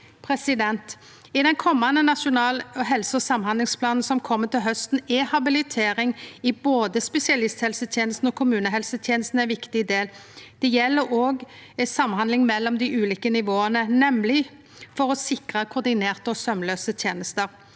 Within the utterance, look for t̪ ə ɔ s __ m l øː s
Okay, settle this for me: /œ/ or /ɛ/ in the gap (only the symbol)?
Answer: œ